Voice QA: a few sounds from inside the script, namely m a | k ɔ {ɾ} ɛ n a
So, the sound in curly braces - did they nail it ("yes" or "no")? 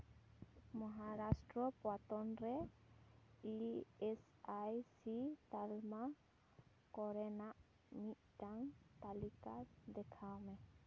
yes